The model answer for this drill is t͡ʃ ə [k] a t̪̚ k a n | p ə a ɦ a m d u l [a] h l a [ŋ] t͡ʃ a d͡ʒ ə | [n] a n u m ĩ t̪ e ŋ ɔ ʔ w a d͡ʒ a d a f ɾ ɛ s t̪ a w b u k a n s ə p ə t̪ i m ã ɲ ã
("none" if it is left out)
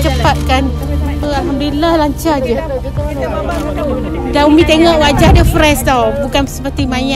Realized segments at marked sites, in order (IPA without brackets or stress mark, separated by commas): p, a, ɲ, d